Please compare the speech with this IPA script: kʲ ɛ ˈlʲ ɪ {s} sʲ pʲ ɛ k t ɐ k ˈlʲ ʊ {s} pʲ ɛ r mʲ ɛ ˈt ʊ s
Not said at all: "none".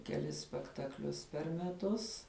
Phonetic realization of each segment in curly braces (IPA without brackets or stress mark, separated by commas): s, s